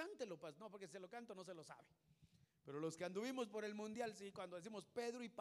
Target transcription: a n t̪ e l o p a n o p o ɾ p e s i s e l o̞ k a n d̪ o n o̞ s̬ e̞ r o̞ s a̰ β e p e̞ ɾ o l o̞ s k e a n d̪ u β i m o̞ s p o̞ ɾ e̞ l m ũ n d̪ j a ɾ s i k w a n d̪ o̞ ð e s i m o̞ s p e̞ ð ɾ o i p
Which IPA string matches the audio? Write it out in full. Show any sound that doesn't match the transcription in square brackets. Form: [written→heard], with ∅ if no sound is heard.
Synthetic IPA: a n t̪ e l o p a n o p o ɾ [p→k] e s i s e l o̞ k a n [d̪→t̪] o n o̞ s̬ e̞ [r→l] o̞ s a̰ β e p e̞ ɾ o l o̞ s k e a n d̪ u β i m o̞ s p o̞ ɾ e̞ l m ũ n d̪ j a [ɾ→l] s i k w a n d̪ o̞ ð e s i m o̞ s p e̞ ð ɾ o i p